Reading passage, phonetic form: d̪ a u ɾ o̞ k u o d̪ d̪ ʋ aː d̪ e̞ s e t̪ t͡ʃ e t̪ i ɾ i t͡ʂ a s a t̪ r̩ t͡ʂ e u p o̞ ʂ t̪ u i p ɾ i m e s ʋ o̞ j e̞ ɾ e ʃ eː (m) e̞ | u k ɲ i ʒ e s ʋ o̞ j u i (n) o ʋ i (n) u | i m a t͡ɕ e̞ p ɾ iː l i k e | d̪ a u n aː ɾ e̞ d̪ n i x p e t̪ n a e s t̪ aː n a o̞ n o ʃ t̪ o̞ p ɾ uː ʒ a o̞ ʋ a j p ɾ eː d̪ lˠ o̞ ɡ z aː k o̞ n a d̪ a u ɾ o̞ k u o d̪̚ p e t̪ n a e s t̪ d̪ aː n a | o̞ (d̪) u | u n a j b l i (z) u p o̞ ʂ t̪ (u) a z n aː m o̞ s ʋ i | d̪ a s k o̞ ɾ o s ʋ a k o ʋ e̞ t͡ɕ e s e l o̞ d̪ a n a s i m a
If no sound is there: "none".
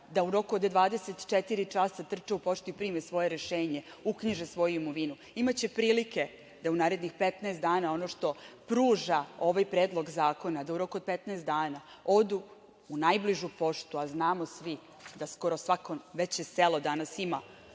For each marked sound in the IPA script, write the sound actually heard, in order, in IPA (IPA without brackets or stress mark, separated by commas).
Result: ɲ, m, n, d̪, ʒ, u